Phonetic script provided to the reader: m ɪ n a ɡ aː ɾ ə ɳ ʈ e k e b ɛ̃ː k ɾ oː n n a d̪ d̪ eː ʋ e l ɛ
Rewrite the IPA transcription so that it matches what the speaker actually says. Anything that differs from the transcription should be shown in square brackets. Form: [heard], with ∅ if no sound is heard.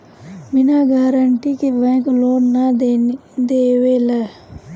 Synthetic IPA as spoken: m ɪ n a ɡ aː ɾ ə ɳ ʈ [i] k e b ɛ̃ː k [l] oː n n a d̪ d̪ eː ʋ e l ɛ